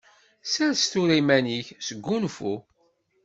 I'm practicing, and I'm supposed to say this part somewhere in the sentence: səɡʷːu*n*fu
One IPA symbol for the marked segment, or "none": n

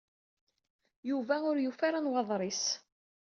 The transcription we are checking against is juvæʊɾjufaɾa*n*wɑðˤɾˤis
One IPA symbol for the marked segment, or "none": n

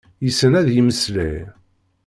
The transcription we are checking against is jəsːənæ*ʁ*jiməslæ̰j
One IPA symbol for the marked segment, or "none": ð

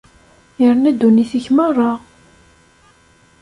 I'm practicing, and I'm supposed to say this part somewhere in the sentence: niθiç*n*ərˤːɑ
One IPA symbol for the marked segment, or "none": m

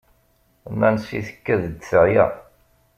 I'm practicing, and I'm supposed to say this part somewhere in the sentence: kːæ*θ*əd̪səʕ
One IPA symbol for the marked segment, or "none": ð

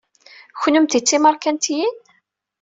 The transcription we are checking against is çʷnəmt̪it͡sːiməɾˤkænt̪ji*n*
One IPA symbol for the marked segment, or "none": n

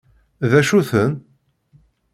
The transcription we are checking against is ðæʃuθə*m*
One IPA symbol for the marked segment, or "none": n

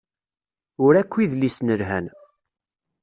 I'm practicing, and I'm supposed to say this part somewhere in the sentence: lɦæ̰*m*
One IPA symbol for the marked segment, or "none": n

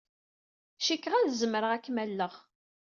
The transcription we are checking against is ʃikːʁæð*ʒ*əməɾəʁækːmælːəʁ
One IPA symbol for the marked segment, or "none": z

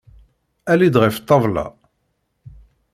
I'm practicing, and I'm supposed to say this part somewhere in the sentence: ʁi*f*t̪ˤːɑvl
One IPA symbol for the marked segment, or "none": f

